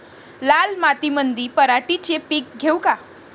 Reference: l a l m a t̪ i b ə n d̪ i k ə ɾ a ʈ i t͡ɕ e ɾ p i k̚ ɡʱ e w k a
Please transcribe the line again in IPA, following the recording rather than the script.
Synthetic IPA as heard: l a l m a t̪ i m ə n d̪ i p ə ɾ a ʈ i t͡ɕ e p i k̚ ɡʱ e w k a